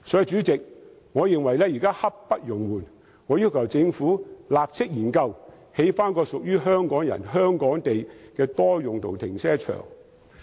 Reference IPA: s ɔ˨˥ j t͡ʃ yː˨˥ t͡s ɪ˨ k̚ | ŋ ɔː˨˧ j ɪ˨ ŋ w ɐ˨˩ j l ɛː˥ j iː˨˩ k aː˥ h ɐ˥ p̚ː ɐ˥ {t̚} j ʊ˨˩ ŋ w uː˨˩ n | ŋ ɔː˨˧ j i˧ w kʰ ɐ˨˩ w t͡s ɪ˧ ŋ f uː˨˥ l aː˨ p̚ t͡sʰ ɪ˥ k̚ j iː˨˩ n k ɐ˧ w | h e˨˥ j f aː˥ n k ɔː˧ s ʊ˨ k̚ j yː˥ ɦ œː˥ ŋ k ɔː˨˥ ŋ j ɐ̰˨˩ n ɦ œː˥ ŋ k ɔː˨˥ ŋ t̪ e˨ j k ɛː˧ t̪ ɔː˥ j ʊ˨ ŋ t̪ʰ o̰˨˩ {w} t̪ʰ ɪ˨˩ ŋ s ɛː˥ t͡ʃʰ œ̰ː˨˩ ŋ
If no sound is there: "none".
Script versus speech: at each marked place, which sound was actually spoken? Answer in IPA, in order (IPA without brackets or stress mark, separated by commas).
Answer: t̚, w